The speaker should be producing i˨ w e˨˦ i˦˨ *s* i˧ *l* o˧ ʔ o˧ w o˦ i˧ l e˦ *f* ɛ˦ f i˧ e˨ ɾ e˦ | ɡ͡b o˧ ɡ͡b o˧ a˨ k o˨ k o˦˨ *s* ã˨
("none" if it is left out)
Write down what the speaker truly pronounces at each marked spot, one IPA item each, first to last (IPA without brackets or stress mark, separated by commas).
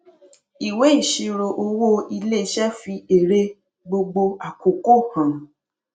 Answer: ʃ, ɾ, ʃ, h